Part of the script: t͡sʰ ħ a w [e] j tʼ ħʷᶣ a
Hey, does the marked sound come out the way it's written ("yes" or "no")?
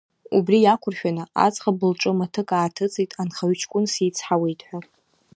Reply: yes